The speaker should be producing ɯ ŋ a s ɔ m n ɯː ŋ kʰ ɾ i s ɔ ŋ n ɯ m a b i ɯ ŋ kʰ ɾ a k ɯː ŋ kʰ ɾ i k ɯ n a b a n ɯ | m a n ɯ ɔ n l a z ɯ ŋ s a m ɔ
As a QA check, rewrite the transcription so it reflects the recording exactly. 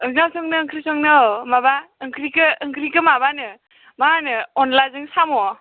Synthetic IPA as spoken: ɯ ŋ a s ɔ ŋ n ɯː ŋ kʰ ɾ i s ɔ ŋ n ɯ m a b a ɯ ŋ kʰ ɾ i k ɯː ŋ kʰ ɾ i k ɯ m a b a n ɯ | m a n ɯ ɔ n l a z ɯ ŋ s a m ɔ